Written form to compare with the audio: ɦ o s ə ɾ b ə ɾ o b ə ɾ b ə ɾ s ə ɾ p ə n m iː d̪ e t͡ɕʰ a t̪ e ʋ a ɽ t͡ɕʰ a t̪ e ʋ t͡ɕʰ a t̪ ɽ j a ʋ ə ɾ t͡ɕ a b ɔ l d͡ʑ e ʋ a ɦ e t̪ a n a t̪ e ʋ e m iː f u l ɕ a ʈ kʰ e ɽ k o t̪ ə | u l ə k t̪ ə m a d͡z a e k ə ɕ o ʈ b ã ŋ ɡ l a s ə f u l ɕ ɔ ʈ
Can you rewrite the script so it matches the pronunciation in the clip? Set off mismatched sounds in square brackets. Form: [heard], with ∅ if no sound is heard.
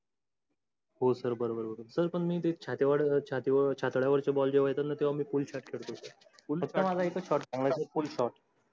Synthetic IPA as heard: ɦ o s ə ɾ b ə ɾ o b ə ɾ b ə ɾ s ə ɾ p ə [ɳ] m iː [t̪] e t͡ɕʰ a t̪ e ʋ a ɽ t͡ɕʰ a t̪ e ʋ t͡ɕʰ a t̪ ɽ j a ʋ ə ɾ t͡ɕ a b ɔ l d͡ʑ e ʋ a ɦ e t̪ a n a t̪ e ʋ [a] m iː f u l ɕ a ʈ kʰ e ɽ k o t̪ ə | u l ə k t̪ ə m a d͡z a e k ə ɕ [ɔ] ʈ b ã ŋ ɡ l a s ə f u l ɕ ɔ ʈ